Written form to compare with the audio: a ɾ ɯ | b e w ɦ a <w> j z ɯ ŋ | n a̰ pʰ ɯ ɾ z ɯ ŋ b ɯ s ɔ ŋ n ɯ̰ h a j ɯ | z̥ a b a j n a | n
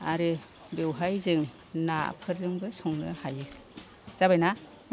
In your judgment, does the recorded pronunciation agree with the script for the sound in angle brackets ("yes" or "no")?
no